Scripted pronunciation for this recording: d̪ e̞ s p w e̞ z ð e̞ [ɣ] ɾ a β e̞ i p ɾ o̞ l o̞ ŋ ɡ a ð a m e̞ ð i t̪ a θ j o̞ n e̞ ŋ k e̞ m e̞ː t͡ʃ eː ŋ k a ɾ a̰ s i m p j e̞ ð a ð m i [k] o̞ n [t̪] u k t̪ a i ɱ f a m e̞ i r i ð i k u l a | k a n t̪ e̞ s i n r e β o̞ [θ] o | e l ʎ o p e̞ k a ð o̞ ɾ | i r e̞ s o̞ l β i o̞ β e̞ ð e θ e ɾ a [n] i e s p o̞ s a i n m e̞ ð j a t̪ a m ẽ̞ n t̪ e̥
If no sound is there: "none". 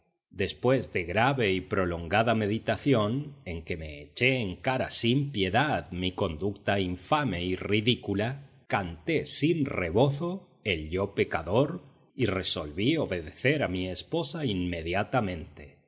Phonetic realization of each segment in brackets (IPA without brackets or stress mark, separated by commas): ɣ, k, d̪, θ, m